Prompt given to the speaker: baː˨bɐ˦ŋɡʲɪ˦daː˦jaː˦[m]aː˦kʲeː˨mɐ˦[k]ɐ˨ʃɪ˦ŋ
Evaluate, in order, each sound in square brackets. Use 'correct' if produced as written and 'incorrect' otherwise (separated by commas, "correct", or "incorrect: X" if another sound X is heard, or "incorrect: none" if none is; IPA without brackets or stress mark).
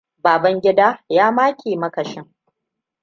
correct, correct